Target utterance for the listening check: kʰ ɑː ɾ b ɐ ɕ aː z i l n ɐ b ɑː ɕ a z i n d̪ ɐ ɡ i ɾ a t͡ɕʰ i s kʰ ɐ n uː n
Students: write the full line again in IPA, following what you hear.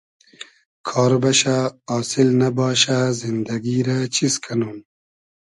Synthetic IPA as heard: kʰ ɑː ɾ b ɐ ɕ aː s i l n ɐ b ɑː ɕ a z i n d̪ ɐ ɡ i ɾ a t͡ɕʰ i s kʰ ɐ n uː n